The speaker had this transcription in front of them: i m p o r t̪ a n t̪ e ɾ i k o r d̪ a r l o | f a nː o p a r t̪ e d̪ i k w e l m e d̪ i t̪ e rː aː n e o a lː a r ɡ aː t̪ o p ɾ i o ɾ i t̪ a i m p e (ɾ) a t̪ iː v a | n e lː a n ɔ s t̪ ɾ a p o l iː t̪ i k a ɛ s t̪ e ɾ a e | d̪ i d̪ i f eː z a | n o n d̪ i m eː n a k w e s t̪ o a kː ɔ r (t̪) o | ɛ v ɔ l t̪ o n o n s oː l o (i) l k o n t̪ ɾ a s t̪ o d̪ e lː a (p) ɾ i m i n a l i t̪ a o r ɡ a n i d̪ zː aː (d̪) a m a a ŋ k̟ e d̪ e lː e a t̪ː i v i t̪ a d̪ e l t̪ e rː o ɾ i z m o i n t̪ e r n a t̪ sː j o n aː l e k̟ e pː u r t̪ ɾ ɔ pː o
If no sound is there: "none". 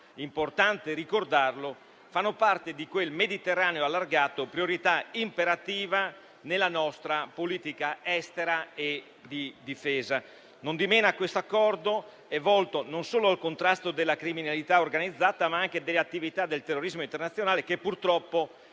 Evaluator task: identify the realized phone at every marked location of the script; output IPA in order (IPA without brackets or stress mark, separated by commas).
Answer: ɾ, d̪, a, k, t̪